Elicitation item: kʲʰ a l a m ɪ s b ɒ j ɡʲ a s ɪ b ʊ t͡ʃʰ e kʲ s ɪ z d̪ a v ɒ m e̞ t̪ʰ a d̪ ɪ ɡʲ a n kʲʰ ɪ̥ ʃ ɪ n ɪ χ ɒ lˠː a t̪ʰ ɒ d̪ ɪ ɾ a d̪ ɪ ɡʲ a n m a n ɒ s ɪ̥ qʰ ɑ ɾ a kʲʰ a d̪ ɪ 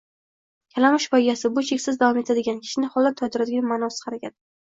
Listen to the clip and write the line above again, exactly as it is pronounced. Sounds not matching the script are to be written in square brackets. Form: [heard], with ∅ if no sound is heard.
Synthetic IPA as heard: kʲʰ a l a m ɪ [ʃ] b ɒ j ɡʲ a s ɪ b ʊ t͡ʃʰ e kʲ s ɪ z d̪ a v ɒ m e̞ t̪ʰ a d̪ ɪ ɡʲ a n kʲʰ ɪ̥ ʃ ɪ n ɪ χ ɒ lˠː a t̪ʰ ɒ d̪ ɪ ɾ a d̪ ɪ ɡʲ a n m a n ɒ s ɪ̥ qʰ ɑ ɾ a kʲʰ a d̪ ɪ